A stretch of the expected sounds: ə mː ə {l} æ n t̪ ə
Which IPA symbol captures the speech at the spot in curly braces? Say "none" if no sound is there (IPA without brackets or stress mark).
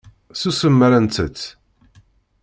ɾ